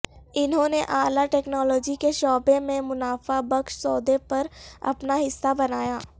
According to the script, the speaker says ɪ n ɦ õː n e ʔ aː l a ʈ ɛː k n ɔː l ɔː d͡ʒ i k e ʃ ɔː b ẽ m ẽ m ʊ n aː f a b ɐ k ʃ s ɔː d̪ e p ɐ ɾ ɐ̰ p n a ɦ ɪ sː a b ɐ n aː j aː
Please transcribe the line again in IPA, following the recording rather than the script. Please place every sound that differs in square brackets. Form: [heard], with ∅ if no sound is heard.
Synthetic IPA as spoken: ɪ n ɦ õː n e ʔ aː l a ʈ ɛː k n ɔː l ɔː d͡ʒ i k e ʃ ɔː b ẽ m ẽ m ʊ n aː f a b ɐ k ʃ s ɔː d̪ e p ɐ ɾ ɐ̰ p n a ɦ ɪ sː a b ɐ n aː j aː